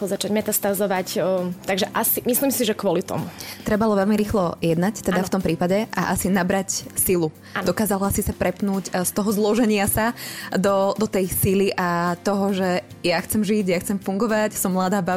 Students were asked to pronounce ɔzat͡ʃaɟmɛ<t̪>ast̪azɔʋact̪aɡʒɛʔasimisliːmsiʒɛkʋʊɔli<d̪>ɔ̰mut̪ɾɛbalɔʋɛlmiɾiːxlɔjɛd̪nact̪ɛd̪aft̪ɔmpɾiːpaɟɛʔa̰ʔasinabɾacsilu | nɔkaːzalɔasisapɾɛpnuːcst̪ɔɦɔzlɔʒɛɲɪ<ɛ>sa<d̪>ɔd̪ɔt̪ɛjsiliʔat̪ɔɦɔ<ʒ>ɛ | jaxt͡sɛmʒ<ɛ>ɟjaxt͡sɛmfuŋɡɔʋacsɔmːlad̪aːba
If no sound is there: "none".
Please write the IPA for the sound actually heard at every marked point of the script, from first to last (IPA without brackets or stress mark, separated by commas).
t̪, t̪, a, d̪, ʒ, i